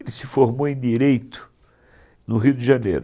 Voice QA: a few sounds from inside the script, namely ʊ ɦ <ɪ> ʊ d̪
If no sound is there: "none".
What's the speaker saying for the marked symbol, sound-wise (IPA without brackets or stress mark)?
i